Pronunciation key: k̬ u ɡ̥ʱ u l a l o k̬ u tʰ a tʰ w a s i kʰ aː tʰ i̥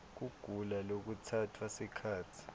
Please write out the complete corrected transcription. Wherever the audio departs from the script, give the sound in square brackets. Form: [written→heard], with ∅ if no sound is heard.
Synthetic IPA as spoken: k̬ u ɡ̥ʱ u l a l o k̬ u tʰ a tʰ w a s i kʰ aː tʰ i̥